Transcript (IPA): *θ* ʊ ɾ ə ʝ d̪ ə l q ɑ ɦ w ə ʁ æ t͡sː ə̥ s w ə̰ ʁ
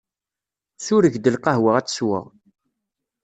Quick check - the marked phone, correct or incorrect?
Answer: correct